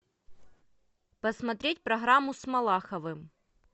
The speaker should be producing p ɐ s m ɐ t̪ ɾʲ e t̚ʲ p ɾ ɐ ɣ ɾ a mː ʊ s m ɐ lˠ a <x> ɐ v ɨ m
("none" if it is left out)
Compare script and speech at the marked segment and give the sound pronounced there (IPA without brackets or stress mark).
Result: x